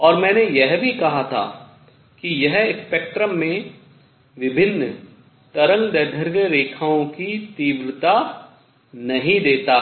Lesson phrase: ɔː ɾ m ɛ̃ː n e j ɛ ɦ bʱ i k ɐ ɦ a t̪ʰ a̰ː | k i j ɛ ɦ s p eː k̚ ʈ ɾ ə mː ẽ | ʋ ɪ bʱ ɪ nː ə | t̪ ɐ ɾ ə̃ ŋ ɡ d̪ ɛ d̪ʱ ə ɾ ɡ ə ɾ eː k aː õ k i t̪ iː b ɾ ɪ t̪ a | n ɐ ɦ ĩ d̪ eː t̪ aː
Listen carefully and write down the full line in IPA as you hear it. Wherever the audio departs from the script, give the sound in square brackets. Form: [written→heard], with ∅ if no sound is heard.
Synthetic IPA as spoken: ɔː ɾ m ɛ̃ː n e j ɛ ɦ bʱ i k ɐ ɦ a t̪ʰ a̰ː | k i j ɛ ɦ s p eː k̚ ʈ ɾ ə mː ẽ | ʋ ɪ bʱ ɪ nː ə | t̪ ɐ ɾ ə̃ ŋ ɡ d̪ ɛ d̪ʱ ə ɾ ɡ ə ɾ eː [k→kʰ] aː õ k i t̪ iː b ɾ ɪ t̪ a | n ɐ ɦ ĩ d̪ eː t̪ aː